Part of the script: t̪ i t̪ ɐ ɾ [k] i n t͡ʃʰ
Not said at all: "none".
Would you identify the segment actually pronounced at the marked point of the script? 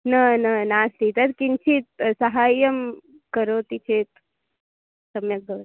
k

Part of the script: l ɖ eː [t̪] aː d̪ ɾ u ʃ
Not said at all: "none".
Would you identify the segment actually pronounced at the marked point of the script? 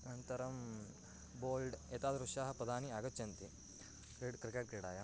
t̪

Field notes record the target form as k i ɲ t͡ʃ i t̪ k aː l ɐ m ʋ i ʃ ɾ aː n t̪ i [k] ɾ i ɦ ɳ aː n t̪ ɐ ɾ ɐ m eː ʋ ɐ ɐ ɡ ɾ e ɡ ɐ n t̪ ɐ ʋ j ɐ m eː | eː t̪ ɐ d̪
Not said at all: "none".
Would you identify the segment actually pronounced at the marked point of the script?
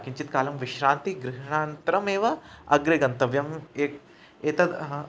ɡ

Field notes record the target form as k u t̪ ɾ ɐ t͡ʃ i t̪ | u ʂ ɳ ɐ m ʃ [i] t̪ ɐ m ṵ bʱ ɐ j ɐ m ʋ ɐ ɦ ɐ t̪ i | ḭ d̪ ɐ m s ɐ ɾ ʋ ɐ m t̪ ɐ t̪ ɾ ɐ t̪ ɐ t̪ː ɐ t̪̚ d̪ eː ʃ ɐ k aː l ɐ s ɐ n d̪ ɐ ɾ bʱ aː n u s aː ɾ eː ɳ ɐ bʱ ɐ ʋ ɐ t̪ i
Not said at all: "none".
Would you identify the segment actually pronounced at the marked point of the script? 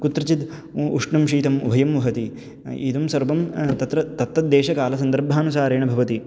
iː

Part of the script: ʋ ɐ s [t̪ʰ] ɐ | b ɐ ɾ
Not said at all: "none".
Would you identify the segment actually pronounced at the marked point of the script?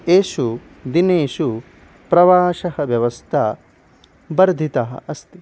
t̪ʰ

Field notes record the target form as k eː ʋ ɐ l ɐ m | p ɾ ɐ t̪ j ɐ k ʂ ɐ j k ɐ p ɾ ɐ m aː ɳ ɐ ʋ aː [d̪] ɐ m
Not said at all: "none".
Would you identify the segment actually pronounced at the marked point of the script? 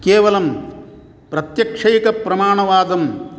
d̪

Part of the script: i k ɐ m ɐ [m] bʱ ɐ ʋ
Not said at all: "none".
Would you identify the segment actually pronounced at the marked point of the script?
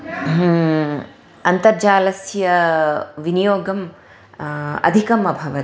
none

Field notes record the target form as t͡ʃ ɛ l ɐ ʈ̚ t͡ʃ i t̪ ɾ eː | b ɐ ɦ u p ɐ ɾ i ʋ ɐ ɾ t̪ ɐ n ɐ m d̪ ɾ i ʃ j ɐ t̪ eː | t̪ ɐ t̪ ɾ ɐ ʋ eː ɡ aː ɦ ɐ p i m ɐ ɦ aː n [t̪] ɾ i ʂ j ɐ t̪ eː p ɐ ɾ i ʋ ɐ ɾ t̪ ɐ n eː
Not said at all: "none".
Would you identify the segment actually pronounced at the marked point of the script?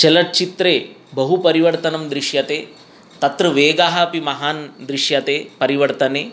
d̪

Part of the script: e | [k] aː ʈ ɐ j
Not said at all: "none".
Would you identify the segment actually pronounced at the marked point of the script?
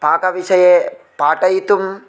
p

